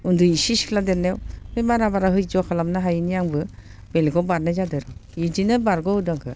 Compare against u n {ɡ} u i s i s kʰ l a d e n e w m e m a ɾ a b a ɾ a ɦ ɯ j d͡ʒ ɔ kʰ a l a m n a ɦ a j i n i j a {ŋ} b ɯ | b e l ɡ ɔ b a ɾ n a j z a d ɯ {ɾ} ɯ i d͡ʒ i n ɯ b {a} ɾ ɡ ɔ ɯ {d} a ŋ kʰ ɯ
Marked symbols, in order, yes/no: no, yes, yes, yes, yes

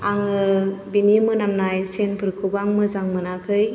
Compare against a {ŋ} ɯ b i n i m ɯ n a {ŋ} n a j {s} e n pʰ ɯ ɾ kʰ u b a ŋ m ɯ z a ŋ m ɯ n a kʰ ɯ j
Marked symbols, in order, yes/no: yes, no, yes

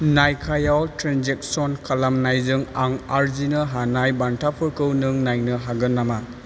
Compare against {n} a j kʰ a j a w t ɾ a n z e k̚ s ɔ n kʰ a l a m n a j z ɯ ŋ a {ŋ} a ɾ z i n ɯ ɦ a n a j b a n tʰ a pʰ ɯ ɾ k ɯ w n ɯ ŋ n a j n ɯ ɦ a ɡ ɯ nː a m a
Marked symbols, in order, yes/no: yes, yes

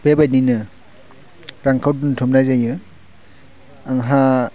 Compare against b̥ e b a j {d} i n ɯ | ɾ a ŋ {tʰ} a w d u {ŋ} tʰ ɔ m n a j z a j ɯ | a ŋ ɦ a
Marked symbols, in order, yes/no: no, no, no

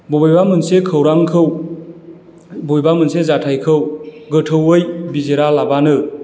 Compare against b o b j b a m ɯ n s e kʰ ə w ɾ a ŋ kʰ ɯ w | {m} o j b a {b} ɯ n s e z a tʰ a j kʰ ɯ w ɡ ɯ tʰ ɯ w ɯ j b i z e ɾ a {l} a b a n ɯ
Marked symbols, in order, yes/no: no, no, yes

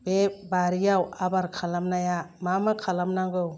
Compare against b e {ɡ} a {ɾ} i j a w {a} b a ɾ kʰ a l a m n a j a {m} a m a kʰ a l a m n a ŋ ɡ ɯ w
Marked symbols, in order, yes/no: no, yes, yes, yes

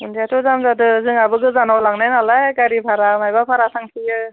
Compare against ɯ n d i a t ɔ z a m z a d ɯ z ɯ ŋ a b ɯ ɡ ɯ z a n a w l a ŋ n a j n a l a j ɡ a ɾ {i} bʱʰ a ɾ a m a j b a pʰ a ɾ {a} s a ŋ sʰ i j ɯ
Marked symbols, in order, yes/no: yes, yes

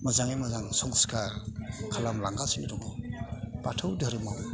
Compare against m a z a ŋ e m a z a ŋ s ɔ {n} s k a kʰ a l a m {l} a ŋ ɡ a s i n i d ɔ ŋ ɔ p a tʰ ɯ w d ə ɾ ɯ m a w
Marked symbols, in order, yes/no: no, yes

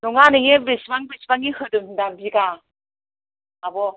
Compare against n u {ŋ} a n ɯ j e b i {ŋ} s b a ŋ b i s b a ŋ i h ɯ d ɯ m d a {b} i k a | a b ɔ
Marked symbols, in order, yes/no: yes, no, yes

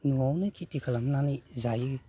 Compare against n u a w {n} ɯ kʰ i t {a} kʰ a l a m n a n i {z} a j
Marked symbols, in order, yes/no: yes, no, yes

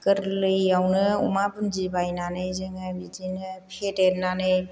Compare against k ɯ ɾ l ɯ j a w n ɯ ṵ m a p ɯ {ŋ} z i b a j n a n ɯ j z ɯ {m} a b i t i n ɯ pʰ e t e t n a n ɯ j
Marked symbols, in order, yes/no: no, no

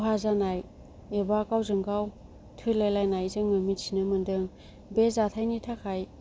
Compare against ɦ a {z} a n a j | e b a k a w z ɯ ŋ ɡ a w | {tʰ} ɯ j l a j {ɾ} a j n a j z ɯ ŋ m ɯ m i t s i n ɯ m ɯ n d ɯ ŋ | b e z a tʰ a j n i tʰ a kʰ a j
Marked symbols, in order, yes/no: yes, yes, no

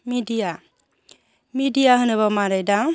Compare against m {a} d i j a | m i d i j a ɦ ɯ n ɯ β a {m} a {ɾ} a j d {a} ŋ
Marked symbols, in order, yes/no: no, yes, yes, yes

